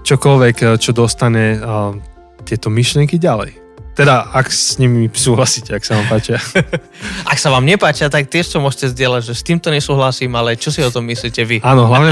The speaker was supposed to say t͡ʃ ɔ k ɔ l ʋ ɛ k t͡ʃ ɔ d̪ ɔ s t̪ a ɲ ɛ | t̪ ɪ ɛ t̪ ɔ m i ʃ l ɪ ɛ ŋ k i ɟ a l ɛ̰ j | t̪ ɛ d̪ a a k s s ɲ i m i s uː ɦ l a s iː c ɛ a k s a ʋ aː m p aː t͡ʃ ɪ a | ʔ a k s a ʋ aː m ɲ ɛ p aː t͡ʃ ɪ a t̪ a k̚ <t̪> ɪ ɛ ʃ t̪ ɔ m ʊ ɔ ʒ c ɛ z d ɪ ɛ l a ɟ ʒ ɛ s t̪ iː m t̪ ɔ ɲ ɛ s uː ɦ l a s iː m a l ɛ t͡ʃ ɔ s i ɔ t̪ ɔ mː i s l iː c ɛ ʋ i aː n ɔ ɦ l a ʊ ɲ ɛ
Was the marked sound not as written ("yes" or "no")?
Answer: no